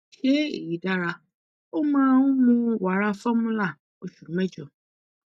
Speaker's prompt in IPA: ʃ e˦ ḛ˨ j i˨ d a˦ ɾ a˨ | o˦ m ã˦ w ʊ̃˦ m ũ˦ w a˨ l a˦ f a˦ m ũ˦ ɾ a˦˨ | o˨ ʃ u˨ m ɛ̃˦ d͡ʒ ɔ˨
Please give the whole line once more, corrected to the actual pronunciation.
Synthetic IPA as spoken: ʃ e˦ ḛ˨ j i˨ d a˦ ɾ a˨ | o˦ m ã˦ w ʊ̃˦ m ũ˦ w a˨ ɾ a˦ f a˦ m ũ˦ l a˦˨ | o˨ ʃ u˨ m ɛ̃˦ d͡ʒ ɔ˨